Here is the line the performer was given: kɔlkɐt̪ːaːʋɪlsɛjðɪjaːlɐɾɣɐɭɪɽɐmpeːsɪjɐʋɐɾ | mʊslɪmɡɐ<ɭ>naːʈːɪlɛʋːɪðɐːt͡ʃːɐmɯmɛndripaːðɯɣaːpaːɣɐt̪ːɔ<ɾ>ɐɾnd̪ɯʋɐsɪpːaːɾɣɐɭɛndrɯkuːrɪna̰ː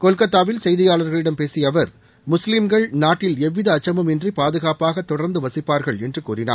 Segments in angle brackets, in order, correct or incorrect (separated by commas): correct, incorrect